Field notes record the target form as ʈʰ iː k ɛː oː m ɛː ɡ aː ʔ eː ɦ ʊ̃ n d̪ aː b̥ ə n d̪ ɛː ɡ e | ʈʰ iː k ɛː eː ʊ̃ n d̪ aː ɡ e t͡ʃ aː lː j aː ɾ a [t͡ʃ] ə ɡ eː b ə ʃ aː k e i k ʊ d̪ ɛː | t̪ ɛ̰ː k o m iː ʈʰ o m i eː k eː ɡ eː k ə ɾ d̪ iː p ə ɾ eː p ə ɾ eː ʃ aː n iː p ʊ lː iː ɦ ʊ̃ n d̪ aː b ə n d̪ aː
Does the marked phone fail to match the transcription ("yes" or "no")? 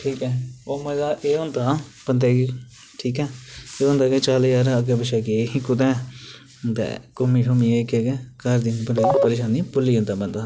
yes